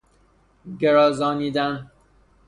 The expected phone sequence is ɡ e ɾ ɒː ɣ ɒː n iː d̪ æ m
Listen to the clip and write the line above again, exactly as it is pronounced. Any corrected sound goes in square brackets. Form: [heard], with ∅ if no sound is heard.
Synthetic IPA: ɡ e ɾ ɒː [z] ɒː n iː d̪ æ [n]